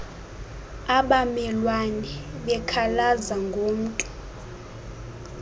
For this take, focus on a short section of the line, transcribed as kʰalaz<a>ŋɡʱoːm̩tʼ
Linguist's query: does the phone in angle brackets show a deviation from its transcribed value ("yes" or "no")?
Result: no